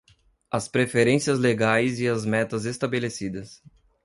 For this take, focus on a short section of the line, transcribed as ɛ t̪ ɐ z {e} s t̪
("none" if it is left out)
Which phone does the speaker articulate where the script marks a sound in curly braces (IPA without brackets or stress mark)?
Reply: e